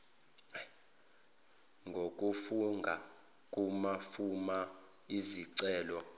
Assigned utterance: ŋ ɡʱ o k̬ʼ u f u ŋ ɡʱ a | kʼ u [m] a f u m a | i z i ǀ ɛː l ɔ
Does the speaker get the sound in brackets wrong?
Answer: no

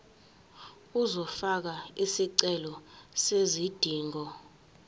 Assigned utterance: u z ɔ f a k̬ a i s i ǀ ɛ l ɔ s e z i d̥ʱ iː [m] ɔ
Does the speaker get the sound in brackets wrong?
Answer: yes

